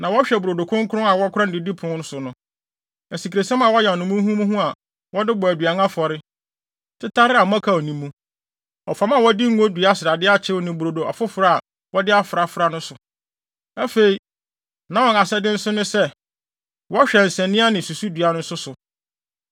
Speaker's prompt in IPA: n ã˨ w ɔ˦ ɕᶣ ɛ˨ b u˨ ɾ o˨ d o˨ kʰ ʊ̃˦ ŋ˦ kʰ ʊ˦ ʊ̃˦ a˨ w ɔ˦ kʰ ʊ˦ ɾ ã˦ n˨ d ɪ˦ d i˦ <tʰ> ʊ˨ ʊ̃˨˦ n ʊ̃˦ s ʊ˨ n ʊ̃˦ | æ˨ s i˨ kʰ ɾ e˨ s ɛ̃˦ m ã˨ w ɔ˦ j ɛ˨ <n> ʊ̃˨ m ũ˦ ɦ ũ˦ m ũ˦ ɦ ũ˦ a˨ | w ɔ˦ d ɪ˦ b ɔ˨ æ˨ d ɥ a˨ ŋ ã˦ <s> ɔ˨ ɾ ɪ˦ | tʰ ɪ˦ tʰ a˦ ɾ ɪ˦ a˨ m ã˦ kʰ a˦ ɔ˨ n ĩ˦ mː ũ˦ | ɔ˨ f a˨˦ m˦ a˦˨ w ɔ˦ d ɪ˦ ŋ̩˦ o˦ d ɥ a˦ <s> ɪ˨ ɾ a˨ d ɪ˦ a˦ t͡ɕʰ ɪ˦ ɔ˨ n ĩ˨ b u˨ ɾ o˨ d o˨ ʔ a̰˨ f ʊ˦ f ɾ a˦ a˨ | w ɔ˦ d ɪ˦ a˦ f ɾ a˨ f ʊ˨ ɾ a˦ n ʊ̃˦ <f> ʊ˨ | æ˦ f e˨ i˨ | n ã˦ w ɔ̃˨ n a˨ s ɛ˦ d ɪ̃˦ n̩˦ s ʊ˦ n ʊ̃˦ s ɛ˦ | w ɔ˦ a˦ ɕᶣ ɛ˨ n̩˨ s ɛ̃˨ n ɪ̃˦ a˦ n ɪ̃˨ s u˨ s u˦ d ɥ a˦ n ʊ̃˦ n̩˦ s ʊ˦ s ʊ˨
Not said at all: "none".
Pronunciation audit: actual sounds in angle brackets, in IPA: pʰ, n, f, s, s

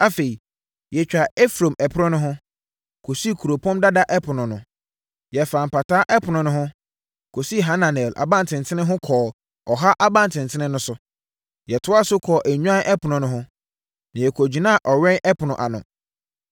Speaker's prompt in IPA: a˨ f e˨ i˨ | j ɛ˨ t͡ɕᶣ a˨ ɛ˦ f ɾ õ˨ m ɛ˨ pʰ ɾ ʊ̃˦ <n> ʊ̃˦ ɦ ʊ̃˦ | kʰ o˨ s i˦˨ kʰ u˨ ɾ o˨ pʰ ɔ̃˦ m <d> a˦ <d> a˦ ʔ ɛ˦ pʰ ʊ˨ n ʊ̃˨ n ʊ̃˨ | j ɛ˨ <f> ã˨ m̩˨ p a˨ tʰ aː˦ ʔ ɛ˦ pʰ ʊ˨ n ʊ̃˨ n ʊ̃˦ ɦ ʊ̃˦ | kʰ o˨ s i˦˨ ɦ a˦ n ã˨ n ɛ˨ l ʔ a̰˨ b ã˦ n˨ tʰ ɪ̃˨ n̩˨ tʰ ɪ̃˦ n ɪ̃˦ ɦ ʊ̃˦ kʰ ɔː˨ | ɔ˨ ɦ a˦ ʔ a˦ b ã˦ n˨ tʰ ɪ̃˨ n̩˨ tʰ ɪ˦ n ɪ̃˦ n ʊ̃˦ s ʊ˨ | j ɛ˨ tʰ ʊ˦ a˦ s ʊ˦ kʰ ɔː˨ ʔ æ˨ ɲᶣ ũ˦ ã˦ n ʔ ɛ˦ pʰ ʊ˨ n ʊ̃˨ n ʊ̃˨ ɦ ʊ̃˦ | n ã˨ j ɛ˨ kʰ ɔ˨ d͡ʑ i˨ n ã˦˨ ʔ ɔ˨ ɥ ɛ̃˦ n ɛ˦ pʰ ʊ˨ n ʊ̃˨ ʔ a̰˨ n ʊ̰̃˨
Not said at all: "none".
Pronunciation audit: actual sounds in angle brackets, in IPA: n, d, d, f

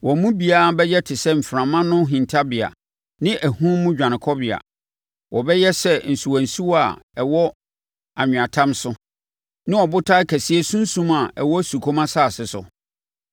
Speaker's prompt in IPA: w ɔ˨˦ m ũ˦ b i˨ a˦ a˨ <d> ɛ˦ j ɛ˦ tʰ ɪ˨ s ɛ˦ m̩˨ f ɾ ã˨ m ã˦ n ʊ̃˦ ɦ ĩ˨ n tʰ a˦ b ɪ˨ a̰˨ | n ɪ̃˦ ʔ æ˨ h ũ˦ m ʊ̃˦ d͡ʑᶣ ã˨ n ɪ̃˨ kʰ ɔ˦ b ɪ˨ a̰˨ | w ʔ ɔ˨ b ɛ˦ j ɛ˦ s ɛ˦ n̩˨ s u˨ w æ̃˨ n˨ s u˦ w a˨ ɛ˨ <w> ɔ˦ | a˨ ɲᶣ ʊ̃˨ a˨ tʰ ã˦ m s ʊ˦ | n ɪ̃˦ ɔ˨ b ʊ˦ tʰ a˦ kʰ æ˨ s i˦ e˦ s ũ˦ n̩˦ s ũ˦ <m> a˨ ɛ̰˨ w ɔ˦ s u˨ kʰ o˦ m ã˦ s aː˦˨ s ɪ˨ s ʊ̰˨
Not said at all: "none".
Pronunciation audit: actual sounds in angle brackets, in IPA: b, w, m

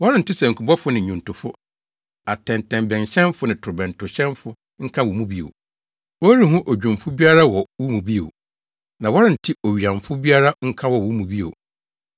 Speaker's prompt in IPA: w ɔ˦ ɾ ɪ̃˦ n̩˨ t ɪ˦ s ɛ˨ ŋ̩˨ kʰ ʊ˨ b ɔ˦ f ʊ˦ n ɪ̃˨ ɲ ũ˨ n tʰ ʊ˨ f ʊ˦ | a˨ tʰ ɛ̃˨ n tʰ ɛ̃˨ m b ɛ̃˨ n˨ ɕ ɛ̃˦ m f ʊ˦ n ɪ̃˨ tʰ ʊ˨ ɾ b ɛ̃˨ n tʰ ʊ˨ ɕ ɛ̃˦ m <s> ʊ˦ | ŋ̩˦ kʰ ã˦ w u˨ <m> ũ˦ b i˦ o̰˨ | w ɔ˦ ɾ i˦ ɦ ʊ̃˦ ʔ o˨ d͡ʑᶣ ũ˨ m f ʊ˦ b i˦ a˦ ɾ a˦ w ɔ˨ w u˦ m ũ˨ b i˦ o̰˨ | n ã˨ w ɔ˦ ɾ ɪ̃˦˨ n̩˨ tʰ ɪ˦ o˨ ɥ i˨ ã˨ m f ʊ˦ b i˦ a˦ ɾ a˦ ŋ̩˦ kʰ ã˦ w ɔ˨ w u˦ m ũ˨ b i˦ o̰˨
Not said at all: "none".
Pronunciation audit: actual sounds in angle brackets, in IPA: f, m

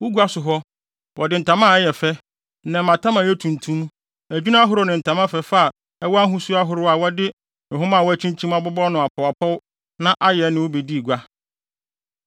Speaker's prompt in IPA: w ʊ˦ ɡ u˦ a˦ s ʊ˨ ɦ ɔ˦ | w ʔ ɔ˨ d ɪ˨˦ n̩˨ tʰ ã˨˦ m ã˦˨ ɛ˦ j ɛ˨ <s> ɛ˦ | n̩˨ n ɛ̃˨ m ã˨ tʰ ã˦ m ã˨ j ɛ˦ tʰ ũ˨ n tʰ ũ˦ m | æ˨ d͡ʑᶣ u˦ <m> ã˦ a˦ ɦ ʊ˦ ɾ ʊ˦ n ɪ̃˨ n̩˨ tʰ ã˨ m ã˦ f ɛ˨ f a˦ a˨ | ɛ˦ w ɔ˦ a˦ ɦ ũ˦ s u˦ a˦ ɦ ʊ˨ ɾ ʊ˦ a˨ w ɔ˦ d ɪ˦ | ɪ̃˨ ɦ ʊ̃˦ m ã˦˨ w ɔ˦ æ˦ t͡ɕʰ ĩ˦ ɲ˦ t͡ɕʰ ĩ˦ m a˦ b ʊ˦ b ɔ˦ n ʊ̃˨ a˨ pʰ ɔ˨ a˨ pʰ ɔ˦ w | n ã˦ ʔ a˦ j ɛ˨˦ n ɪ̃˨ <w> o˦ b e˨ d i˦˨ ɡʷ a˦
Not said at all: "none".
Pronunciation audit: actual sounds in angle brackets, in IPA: f, n, w

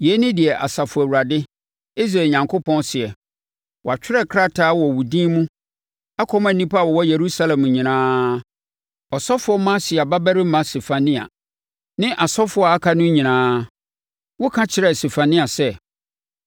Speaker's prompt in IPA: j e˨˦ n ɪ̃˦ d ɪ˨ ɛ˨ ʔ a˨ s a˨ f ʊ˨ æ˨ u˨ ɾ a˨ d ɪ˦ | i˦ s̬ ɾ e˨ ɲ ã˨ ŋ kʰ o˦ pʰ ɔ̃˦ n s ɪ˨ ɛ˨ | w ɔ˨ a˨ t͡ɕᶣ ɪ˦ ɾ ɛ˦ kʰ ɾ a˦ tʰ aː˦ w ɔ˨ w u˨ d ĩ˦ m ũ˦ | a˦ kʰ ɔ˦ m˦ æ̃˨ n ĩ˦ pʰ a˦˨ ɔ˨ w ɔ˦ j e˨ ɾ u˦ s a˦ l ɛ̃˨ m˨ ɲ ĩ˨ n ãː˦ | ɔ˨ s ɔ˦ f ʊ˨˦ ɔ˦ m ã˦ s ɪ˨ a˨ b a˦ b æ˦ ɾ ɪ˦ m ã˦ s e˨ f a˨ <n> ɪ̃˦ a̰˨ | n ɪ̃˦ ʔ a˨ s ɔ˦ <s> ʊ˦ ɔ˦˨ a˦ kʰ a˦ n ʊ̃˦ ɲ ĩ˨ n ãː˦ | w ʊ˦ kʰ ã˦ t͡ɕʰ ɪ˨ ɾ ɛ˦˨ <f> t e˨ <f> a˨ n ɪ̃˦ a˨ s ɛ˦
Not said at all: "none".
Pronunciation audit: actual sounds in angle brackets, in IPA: n, f, s, f

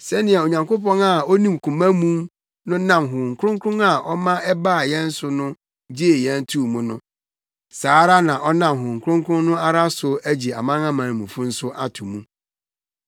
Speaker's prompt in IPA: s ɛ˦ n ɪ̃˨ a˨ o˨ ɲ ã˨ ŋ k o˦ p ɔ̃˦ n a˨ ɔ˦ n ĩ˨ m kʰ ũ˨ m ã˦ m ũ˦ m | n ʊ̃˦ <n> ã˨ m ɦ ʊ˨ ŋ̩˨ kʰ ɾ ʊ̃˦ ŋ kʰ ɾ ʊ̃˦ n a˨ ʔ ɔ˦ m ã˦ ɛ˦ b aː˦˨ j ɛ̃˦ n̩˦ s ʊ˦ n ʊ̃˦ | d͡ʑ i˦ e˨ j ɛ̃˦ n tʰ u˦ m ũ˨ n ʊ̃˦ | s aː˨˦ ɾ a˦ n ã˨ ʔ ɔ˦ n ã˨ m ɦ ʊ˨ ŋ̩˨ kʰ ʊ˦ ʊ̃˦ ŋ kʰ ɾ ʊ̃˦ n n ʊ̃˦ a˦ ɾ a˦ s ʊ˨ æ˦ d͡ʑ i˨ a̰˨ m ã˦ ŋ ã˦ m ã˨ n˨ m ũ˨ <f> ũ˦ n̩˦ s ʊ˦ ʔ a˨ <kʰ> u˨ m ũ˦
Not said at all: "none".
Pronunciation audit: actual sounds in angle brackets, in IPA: n, f, tʰ

